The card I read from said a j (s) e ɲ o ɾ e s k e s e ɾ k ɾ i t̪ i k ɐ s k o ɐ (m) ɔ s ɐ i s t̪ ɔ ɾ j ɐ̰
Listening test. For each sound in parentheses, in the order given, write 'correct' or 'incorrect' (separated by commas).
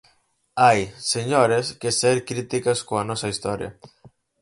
correct, incorrect